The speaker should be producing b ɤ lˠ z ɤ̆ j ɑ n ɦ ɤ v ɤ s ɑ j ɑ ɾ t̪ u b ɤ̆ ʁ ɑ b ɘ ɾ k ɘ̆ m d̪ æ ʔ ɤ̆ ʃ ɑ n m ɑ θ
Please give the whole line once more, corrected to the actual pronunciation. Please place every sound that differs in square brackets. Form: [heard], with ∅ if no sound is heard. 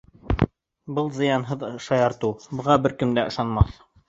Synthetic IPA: b ɤ lˠ z ɤ̆ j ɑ n ɦ ɤ [ð] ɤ [ʃ] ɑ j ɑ ɾ t̪ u b ɤ̆ ʁ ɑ b ɘ ɾ k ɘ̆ m d̪ æ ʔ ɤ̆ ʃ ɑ n m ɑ θ